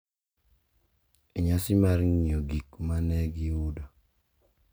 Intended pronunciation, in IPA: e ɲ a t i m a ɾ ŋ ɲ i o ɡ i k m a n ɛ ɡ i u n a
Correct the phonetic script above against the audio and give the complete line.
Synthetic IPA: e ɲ a s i m a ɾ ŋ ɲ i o ɡ i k m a n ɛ ɡ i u d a